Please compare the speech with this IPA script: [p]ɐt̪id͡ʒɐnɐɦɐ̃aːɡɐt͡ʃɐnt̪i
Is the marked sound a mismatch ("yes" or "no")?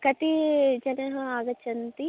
yes